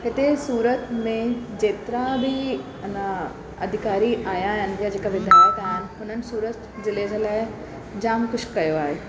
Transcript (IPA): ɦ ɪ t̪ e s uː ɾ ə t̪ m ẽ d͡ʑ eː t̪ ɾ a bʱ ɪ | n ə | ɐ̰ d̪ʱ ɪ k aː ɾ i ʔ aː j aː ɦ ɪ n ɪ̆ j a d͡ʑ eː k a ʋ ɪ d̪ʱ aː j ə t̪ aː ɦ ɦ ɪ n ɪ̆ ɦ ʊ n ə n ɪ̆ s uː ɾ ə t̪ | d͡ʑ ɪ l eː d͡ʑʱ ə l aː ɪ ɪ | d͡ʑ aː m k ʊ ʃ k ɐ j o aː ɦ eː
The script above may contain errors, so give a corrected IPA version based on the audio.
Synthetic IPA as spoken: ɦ ɪ t̪ e s uː ɾ ə t̪ m ẽ d͡ʑ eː t̪ ɾ a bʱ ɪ | n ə | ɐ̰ d̪ʱ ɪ k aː ɾ i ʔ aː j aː ɦ ɪ n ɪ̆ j a d͡ʑ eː k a ʋ ɪ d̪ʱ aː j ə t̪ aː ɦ ɦ ɪ n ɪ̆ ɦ ʊ n ə n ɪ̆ s uː ɾ ə t̪ | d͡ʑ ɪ l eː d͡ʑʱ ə l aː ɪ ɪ | d͡ʑ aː m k ʊ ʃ k ɐ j o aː ɦ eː